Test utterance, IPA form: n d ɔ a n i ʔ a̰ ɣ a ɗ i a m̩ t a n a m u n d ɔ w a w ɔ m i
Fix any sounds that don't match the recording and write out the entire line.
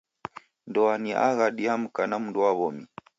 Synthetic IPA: n d ɔ a n i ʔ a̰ ɣ a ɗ i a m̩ k a n a m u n d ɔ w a β ɔ m i